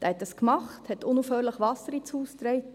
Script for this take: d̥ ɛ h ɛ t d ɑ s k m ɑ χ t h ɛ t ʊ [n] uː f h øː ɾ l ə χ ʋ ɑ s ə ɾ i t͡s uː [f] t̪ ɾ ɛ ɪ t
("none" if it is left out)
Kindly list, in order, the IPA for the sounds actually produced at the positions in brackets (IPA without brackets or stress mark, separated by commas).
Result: n, s